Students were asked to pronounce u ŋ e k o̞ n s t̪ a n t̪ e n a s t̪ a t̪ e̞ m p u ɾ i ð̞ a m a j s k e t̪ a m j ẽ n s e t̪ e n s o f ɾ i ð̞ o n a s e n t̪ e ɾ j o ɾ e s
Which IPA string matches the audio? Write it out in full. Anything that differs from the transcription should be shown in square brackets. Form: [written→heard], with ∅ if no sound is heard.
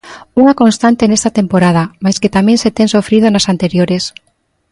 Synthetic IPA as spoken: u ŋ [e→a] k o̞ n s t̪ a n t̪ e n [a→e] s t̪ a t̪ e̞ m p [u→o] ɾ [i→a] ð̞ a m a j s k e t̪ a m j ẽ n s e t̪ e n s o f ɾ i ð̞ o n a s [e→a] n t̪ e ɾ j o ɾ e s